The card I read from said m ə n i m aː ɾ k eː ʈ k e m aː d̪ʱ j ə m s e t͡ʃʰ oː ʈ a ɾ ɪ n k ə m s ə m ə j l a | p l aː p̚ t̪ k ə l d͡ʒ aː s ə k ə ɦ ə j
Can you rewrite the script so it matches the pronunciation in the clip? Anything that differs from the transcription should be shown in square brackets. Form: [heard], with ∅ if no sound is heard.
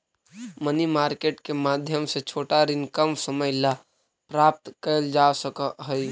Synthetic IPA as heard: m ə n i m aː ɾ k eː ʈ k e m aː d̪ʱ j ə m s e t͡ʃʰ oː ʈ a ɾ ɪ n k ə m s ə m ə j l a | p [ɾ] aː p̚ t̪ k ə l d͡ʒ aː s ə k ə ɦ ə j